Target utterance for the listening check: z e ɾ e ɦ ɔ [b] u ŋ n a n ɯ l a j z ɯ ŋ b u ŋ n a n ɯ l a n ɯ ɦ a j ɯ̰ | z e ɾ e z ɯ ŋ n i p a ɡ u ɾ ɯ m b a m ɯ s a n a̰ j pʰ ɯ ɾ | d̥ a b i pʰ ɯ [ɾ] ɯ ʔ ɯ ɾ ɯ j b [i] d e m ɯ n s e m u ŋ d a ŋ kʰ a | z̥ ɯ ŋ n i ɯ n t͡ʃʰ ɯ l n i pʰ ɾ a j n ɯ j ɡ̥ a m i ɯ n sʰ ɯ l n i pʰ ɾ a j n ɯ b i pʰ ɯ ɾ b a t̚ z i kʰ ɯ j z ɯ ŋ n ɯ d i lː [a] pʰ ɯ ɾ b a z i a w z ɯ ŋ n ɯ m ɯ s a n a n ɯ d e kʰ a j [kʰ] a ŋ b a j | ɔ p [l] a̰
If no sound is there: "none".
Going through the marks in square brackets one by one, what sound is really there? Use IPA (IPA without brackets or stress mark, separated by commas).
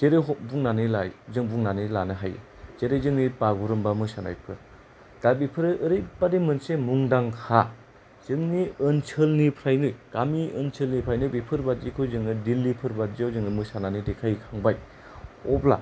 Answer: b, ɾ, a, i, kʰ, l